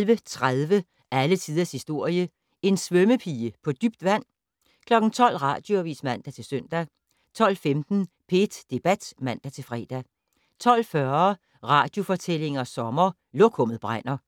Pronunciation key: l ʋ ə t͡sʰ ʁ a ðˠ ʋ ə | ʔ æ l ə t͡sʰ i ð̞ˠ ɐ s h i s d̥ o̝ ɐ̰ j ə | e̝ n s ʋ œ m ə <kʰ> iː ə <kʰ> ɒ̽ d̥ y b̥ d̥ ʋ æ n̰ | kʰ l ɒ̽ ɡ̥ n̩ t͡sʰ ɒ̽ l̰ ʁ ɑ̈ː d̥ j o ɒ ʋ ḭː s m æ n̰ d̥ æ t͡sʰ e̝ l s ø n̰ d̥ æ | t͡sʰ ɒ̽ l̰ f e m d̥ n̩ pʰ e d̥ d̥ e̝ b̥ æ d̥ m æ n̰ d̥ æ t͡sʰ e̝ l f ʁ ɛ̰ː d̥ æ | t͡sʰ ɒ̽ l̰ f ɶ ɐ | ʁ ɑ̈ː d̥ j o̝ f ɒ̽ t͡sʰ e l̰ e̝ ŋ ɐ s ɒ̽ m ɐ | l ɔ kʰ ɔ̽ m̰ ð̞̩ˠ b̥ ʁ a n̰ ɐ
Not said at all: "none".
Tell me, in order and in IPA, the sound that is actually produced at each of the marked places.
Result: pʰ, pʰ

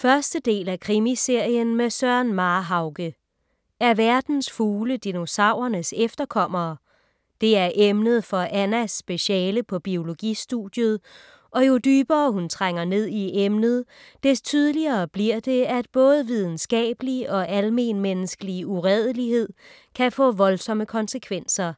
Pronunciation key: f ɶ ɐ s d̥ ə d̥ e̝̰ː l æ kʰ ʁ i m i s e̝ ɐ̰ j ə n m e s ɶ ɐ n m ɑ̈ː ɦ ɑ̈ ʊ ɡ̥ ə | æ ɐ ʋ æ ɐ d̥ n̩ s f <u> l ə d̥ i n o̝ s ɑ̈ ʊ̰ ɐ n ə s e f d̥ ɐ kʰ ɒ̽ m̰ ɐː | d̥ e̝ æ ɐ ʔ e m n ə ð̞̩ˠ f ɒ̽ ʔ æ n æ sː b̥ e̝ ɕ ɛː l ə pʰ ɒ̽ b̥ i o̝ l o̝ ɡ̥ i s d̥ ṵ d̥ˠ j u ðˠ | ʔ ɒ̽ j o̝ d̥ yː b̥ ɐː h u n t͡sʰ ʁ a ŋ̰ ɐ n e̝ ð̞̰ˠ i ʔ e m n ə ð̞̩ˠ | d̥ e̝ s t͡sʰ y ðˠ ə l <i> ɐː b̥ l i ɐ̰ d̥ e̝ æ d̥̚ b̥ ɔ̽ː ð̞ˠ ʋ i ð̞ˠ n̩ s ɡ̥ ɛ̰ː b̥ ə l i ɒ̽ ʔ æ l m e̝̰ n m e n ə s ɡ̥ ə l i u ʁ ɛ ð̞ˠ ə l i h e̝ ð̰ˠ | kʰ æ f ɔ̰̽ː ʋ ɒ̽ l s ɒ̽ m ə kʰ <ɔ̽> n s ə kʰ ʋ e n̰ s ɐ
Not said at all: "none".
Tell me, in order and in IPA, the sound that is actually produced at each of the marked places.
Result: uː, i, ɒ̽

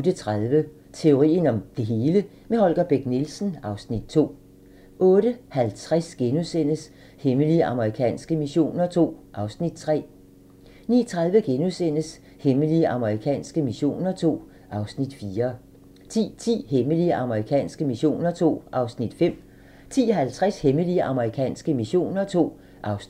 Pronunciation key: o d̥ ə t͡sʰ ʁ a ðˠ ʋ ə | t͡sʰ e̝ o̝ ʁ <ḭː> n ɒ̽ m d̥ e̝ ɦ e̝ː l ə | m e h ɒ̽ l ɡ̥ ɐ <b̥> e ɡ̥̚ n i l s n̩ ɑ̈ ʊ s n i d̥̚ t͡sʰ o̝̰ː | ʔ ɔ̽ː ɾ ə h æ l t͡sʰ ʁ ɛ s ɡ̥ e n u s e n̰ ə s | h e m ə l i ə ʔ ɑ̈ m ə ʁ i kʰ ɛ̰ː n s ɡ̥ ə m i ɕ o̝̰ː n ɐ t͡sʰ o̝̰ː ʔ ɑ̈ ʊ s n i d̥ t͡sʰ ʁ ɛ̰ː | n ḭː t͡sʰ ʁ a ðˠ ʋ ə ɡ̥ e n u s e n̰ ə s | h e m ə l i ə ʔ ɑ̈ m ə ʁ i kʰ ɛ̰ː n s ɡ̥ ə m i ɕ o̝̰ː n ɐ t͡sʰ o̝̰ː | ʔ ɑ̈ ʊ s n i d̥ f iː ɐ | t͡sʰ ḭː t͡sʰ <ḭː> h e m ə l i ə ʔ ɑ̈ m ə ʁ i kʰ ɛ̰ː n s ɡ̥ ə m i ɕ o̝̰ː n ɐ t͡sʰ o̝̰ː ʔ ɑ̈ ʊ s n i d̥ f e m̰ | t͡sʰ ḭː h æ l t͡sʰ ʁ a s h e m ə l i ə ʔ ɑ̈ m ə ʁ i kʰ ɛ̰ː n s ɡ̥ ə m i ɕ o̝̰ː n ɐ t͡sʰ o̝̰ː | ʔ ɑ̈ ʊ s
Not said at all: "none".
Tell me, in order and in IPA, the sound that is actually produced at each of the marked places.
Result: ḭː, b̥, ḭː

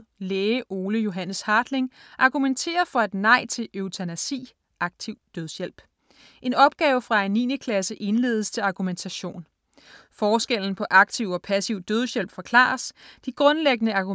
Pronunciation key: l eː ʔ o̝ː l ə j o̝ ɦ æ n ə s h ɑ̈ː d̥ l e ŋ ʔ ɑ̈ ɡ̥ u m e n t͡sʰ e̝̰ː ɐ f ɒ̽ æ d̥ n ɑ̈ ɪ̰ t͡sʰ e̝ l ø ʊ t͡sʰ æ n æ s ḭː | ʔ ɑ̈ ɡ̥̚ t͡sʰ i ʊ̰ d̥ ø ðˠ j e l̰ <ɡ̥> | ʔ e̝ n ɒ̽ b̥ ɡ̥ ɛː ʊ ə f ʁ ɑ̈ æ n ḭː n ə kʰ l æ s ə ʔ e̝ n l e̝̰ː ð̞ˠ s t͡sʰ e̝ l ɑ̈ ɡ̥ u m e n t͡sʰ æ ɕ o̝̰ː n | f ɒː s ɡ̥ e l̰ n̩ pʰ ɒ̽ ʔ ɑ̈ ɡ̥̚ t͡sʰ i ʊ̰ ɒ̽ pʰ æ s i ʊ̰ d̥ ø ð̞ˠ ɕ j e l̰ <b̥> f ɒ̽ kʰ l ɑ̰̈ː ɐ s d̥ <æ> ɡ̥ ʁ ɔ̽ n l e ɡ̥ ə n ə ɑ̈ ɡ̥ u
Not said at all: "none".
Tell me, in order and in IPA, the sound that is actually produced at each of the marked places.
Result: b̥, b̥, i

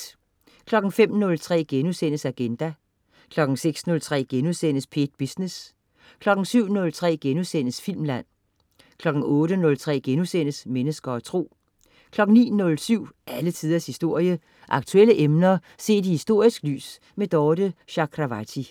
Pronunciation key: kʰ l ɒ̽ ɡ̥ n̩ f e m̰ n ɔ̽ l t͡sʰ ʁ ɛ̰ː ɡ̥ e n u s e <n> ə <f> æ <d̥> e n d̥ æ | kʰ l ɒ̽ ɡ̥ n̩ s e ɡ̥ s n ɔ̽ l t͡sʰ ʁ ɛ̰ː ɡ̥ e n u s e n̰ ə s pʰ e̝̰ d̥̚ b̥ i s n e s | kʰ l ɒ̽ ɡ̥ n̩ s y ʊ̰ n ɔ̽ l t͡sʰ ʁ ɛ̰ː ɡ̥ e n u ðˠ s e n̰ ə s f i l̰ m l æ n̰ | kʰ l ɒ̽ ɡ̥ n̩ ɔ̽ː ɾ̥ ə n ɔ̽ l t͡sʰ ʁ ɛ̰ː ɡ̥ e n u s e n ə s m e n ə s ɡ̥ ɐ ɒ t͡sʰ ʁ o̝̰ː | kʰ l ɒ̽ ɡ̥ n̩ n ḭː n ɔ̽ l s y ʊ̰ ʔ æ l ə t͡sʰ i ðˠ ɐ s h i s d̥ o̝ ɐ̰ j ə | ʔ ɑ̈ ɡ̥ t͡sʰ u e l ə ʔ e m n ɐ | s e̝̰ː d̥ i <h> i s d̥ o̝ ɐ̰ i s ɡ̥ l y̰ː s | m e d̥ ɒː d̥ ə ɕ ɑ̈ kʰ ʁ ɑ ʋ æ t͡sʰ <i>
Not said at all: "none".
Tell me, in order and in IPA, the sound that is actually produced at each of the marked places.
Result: n, s, ɡ̥, h, i

